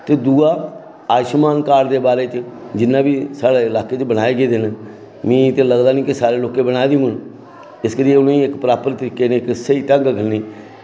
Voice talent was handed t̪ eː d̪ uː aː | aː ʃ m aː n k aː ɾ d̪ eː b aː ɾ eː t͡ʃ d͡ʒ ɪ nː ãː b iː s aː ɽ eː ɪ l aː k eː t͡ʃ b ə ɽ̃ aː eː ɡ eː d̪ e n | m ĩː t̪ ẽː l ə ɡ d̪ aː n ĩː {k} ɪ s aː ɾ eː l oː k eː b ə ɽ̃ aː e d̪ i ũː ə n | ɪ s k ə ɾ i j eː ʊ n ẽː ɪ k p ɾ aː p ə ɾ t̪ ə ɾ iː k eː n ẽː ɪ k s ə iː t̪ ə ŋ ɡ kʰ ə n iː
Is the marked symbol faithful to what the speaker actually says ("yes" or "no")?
yes